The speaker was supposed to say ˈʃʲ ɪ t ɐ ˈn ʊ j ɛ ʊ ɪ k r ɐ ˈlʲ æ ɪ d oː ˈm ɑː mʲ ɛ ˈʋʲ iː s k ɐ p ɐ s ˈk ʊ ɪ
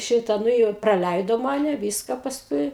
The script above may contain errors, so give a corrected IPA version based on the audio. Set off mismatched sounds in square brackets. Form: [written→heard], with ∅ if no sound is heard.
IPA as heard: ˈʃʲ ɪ t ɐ ˈn ʊ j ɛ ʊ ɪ [k→p] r ɐ ˈlʲ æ ɪ d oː ˈm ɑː [mʲ→nʲ] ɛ ˈʋʲ iː s k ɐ p ɐ s ˈk ʊ ɪ